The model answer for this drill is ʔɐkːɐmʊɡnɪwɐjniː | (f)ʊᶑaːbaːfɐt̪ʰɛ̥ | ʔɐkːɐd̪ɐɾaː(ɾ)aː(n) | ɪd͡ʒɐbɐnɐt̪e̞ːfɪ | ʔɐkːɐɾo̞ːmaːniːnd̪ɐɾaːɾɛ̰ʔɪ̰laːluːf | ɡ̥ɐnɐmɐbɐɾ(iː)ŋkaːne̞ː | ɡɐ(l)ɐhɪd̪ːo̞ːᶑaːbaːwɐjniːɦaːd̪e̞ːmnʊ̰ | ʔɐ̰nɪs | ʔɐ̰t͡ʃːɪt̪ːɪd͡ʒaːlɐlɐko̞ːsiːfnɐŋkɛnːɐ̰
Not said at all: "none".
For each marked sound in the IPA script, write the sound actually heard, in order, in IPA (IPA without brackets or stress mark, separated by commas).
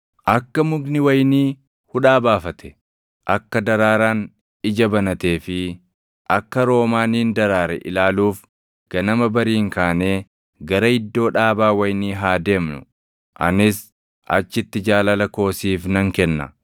h, ɾ, n, iː, ɾ